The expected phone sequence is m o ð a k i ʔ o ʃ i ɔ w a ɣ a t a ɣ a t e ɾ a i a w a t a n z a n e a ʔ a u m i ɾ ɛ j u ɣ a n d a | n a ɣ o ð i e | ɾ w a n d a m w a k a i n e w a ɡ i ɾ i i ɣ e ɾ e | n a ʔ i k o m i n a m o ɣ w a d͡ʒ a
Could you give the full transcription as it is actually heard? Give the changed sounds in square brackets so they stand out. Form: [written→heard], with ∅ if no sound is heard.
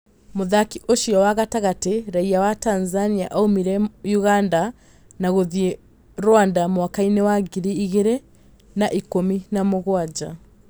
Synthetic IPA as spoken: m o ð a k i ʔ o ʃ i ɔ w a ɣ a t a ɣ a t e ɾ a i a w a t a n z a n [e→i] a ʔ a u m i ɾ ɛ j u ɣ a n d a | n a ɣ o ð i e | ɾ w a n d a m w a k a i n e w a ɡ i ɾ i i ɣ e ɾ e | n a ʔ i k o m i n a m o ɣ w a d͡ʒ a

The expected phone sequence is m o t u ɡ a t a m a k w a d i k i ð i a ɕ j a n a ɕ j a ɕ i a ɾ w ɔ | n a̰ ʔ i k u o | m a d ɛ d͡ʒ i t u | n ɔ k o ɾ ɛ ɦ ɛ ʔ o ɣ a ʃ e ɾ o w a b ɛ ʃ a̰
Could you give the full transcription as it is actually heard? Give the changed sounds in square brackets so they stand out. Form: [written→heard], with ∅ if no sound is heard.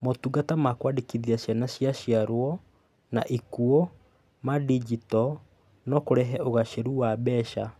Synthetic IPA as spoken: m o t u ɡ a t a m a k w a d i k i ð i a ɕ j a n a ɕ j a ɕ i a ɾ w ɔ | n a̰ ʔ i k u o | m a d [ɛ→i] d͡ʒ i t [u→ɔ] | n ɔ k o ɾ ɛ ɦ ɛ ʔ o ɣ a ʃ e ɾ [o→u] w a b ɛ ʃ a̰

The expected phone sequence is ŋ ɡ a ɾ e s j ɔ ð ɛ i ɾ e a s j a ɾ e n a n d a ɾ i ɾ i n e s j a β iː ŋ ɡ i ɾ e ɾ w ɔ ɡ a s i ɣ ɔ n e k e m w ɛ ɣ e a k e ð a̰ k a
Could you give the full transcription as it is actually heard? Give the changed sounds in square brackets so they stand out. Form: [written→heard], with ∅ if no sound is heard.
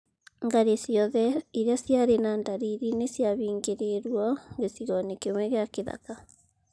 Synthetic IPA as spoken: ŋ ɡ a ɾ e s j ɔ ð ɛ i ɾ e a s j a ɾ e n a n d a ɾ i ɾ i n e s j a β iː ŋ ɡ [i→e] ɾ e ɾ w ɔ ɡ [a→e] s i ɣ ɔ n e k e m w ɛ ɣ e a k e ð a̰ k a

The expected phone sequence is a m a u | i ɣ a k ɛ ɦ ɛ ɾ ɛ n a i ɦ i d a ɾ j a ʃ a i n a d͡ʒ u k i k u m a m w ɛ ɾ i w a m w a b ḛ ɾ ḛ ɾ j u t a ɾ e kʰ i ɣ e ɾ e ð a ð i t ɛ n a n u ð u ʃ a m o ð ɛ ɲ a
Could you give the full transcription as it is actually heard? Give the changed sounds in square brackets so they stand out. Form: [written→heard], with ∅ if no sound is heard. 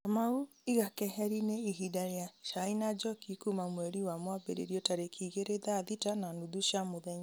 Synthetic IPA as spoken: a m a u | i ɣ a k ɛ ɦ ɛ ɾ [ɛ→i] n [a→e] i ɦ i d a ɾ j a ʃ a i n a d͡ʒ [u→ɔ] k i k u m a m w ɛ ɾ i w a m w a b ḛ ɾ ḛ ɾ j [u→ɔ] t a ɾ e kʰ i ɣ e ɾ e ð a ð i t [ɛ→a] n a n u ð u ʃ a m o ð ɛ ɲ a

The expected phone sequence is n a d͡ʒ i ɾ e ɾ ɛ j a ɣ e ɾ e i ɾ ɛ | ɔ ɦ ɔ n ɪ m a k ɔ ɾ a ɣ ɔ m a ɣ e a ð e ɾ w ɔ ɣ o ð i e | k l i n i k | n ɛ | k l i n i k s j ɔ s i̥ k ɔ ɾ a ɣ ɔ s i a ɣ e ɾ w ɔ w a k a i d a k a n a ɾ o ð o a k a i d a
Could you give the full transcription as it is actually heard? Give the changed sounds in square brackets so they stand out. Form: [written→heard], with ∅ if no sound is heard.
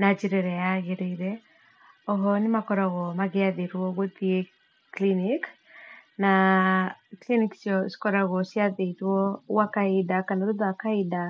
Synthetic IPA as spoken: n a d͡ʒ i ɾ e ɾ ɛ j a ɣ e ɾ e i ɾ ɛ | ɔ ɦ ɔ n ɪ m a k ɔ ɾ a ɣ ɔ m a ɣ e a ð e ɾ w ɔ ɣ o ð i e | k l i n i k | n [ɛ→a] | k l i n i k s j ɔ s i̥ k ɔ ɾ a ɣ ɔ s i a [ɣ→ð] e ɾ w ɔ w a k a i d a k a n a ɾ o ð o a k a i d a

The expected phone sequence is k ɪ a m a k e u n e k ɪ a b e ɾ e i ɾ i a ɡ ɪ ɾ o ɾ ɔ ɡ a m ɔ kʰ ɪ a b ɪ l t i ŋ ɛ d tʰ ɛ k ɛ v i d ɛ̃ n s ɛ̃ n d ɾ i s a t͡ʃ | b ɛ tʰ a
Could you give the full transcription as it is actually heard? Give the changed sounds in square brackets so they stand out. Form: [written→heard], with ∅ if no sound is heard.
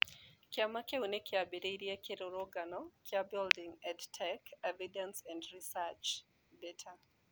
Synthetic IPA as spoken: k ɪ a m a k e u n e k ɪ a b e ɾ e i ɾ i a [ɡ→k] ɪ ɾ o ɾ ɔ ɡ a [m→n] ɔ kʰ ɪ a b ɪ l [t→d] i ŋ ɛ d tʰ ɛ k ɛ v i d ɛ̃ n s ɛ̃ n d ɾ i s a t͡ʃ | b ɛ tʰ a

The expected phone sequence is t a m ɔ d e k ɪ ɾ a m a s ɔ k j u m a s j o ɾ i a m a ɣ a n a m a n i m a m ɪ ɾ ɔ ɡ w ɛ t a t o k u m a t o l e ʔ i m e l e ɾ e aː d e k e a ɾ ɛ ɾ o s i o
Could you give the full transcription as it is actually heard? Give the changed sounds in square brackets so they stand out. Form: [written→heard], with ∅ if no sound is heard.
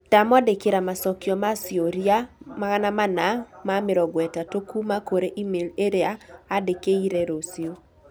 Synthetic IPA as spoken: t a m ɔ d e k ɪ ɾ a m a s ɔ k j [u→ɔ] m a s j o ɾ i a m a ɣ a n a m a n [i→a] m a m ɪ ɾ ɔ ɡ w ɛ t a t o k u m a [t→k] o [l→ɾ] e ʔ i m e l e ɾ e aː d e k e [a→i] ɾ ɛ ɾ o s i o

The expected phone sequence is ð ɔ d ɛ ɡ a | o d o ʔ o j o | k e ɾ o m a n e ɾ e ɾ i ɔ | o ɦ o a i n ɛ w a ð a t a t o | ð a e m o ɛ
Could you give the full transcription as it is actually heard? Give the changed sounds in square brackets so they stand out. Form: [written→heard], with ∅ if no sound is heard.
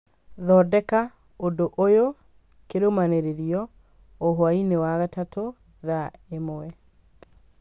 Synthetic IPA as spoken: ð ɔ d ɛ [ɡ→k] a | o d o ʔ o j o | k e ɾ o m a n e ɾ e ɾ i ɔ | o ɦ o a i n [ɛ→e] w a [ð→ɣ] a t a t o | ð a e m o ɛ

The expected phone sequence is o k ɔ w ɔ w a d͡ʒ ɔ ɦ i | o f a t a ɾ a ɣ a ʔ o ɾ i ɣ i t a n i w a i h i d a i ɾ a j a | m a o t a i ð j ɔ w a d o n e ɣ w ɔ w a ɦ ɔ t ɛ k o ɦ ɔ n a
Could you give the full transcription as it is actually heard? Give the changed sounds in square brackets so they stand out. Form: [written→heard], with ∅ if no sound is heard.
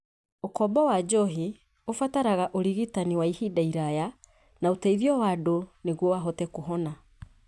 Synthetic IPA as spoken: o k ɔ [w→b] ɔ w a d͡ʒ ɔ ɦ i | o f a t a ɾ a ɣ a ʔ o ɾ i ɣ i t a n i w a i h i d a i ɾ a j a | [m→n] a o t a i ð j ɔ w a d o n e ɣ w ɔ w a ɦ ɔ t ɛ k o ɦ ɔ n a

